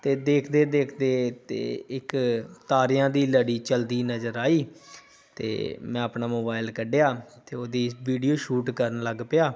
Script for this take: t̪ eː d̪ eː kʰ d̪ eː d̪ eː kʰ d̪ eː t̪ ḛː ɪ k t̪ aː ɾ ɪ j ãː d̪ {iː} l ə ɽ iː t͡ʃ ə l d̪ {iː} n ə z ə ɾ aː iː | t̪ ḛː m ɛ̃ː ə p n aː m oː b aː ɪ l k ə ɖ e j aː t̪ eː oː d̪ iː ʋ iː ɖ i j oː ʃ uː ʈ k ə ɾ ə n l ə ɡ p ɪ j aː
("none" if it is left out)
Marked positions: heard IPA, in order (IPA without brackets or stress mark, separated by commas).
iː, iː